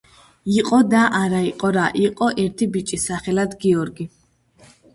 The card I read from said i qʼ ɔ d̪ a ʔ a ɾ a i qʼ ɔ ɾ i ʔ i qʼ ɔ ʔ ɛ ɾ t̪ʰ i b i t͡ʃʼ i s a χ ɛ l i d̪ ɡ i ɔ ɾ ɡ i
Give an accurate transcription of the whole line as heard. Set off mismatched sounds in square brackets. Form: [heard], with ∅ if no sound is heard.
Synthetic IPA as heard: i qʼ ɔ d̪ a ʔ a ɾ a i qʼ ɔ ɾ [a] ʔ i qʼ ɔ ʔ ɛ ɾ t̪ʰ i b i t͡ʃʼ i s a χ ɛ l [a] d̪ ɡ i ɔ ɾ ɡ i